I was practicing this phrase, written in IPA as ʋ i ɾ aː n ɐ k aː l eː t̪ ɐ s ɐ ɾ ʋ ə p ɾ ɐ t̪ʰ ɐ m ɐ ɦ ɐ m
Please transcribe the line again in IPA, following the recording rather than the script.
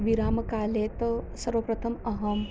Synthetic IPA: ʋ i ɾ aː m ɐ k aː l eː t̪ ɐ s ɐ ɾ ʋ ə p ɾ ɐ t̪ʰ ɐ m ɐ ɦ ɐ m